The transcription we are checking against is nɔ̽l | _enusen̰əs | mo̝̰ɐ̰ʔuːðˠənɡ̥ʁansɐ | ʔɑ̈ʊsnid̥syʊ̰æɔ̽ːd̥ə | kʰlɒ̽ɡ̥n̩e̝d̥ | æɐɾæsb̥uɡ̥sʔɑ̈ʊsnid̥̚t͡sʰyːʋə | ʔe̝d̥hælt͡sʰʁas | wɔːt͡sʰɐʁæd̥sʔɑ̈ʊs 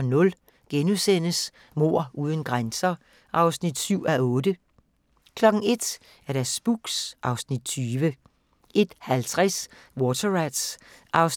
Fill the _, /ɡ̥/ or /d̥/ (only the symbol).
ɡ̥